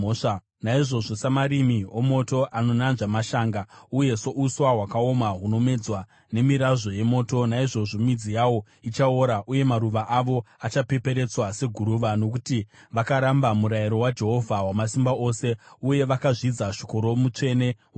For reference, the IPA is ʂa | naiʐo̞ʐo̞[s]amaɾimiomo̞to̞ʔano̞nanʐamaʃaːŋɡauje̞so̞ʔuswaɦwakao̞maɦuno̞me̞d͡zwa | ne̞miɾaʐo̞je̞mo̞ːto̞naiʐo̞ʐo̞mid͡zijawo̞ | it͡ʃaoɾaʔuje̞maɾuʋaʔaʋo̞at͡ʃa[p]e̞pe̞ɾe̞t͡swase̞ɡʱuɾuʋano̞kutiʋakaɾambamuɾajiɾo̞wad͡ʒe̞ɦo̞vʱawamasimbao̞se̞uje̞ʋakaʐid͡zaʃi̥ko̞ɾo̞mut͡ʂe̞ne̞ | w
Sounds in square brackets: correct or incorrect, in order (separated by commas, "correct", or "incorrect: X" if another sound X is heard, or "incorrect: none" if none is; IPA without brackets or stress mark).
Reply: correct, correct